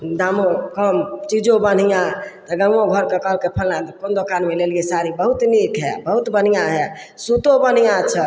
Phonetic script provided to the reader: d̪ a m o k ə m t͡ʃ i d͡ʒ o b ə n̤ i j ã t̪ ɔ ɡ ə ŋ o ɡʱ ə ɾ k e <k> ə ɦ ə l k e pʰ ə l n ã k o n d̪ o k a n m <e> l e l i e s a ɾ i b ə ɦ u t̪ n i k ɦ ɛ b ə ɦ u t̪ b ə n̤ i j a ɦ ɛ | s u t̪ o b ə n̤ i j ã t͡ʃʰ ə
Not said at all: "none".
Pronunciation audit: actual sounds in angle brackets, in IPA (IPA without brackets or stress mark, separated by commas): k, e